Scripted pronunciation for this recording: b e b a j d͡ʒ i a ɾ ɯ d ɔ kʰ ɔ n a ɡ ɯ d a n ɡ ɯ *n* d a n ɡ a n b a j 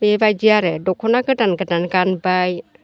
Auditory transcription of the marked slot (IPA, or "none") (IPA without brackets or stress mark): none